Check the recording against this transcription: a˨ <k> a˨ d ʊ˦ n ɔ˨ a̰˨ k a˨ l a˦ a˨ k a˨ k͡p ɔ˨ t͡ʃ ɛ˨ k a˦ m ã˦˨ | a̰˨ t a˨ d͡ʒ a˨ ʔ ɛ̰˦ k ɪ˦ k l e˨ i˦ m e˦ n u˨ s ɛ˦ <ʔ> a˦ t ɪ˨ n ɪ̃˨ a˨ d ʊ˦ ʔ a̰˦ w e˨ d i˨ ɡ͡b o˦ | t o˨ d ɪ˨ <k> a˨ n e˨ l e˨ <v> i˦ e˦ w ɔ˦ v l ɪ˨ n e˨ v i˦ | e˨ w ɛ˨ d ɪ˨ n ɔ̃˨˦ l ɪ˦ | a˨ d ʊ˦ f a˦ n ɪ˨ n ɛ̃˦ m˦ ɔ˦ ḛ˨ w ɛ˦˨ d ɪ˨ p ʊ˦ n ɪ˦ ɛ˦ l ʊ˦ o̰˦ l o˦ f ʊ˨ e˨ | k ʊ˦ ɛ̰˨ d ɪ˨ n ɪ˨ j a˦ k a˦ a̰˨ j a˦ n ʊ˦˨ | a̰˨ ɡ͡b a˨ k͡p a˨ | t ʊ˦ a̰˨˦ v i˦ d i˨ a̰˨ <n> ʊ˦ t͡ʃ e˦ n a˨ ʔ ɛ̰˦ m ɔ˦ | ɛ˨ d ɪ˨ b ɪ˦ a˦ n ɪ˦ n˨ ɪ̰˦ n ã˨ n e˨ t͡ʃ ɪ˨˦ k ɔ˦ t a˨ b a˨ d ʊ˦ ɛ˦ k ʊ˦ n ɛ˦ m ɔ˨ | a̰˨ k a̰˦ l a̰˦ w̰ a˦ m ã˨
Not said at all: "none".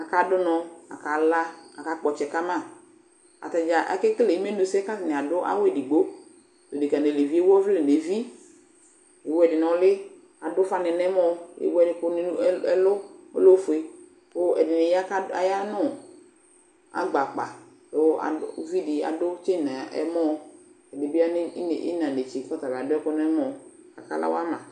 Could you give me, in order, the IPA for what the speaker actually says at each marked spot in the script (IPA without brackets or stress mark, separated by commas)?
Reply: k, k, k, v, d